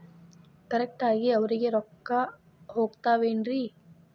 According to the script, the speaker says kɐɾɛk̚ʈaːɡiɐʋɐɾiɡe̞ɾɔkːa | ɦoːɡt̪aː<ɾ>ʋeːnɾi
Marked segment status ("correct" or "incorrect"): incorrect